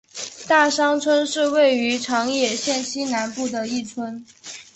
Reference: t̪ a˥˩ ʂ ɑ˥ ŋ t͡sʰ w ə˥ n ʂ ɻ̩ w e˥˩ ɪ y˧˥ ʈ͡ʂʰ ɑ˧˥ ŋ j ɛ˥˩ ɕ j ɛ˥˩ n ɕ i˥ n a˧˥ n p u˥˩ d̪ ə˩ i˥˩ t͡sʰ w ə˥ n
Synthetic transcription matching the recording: t̪ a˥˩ ʂ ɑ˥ ŋ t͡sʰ w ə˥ n ʂ ɻ̩ w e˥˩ ɪ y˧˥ ʈ͡ʂʰ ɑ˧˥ ŋ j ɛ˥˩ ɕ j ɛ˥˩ n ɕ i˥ n a˧˥ n p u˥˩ d̪ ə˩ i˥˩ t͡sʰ w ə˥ n